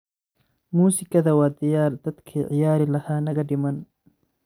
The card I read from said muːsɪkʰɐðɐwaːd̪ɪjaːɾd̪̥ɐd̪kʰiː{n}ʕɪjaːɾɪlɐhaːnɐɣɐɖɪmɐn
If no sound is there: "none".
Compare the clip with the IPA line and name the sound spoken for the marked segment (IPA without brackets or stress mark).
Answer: none